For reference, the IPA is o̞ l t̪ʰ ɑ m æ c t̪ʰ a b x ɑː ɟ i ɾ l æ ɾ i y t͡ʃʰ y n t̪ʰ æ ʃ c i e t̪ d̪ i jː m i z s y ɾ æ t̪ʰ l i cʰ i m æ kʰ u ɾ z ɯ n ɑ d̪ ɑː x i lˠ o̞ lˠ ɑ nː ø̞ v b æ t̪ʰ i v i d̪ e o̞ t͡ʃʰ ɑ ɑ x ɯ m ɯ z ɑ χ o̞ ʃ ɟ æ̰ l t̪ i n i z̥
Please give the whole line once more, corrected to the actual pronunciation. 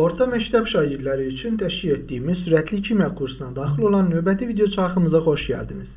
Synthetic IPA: o̞ ɾ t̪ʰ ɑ m æ c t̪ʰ æ b ʃ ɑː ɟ i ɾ l æ ɾ i y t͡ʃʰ y n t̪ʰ æ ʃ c i e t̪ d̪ i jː m i z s y ɾ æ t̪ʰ l i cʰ i m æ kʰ u ɾ s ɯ n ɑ d̪ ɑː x i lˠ o̞ lˠ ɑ nː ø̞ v b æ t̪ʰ i v i d̪ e o̞ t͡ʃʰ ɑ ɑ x ɯ m ɯ z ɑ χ o̞ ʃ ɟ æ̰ l d̪ i n i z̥